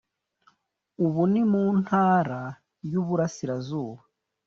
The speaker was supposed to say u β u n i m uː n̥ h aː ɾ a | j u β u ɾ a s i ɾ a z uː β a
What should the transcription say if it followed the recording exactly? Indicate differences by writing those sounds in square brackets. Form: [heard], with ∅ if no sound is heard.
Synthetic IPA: u β u n i m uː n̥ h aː ɾ a | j u β u ɾ a s i ɾ a z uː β a